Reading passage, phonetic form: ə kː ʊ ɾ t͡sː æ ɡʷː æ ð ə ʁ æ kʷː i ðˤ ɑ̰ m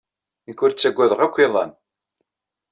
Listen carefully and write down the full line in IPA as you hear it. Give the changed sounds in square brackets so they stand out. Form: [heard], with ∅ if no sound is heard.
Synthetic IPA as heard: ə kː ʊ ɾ t͡sː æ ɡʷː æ ð ə ʁ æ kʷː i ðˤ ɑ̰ [n]